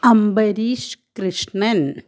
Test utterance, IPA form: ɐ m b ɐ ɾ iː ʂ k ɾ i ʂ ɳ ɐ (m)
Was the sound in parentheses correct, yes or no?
no